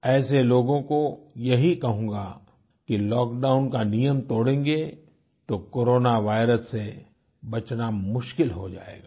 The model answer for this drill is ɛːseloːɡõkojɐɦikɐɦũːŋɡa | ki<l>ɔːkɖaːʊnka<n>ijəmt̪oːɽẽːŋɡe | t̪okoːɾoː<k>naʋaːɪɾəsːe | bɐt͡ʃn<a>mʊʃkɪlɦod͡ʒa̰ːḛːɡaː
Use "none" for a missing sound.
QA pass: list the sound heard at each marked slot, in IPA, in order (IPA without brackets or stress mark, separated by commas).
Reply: l, n, none, a